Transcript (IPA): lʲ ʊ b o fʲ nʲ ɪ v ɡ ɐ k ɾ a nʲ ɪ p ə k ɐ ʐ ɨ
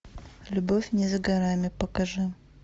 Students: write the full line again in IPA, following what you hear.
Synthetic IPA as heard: lʲ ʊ b o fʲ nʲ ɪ z ɡ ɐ ɾ a mʲ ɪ p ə k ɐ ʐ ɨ

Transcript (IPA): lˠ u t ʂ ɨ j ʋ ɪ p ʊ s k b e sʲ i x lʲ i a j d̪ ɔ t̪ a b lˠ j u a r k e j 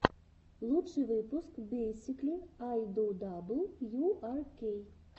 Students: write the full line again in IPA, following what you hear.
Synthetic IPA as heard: lˠ u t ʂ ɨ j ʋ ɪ p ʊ s k b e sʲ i k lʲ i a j d̪ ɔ d̪ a b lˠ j u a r k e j

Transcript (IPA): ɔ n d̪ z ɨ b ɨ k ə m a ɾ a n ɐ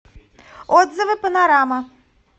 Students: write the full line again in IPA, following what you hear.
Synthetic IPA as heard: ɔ d̪ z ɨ v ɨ p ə n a ɾ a m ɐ

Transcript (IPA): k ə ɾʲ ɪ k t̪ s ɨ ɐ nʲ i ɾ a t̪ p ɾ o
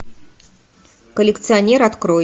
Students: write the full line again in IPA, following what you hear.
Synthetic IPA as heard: k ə lʲ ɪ k t̪ s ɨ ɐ nʲ e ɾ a t̪ k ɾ o

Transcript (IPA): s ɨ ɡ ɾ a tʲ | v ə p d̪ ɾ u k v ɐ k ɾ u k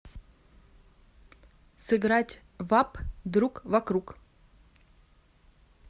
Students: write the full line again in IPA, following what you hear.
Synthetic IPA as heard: s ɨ ɡ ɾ a tʲ | v a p d̪ ɾ u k v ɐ k ɾ u k

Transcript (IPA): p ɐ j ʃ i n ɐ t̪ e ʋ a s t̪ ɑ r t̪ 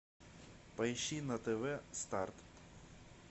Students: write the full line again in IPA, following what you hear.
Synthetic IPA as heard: p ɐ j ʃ i n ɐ t̪ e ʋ ɛ s t̪ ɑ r t̪

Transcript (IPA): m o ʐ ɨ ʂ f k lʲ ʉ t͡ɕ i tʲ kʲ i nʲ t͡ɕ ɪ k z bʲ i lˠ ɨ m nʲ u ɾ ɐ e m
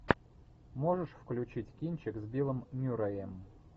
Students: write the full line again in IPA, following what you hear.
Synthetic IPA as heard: m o ʐ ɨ ʂ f k lʲ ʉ t͡ɕ i tʲ kʲ i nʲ t͡ɕ ɪ k z bʲ i lˠ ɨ m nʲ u ɾ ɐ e m

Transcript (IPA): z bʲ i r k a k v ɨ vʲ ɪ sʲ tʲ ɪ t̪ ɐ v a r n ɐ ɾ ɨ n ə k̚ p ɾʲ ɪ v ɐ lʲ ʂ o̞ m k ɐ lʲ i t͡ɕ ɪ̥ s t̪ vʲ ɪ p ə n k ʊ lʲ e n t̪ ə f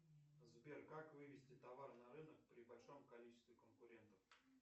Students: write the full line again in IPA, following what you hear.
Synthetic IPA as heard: z bʲ e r k a k v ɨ vʲ ɪ sʲ tʲ ɪ t̪ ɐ v a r n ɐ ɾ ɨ n ə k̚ p ɾʲ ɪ b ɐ lʲ ʂ o̞ m k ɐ lʲ i t͡ɕ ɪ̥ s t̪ vʲ ɪ k ə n k ʊ ɾʲ e n t̪ ə f

